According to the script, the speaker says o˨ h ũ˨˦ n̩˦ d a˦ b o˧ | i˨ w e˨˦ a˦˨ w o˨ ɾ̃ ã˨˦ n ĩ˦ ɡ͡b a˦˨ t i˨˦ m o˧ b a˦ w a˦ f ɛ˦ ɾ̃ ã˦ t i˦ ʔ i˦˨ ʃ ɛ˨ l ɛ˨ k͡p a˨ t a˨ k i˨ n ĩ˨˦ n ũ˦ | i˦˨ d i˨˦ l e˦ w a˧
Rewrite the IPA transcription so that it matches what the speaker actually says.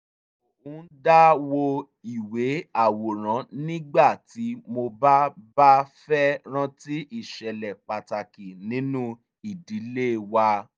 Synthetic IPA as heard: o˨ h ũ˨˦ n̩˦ d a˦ w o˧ | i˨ w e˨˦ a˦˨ w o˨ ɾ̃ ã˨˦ n ĩ˦ ɡ͡b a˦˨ t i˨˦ m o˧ b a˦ b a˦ f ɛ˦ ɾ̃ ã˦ t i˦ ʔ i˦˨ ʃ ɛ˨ l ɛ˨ k͡p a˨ t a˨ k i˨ n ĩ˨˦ n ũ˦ | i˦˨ d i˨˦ l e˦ w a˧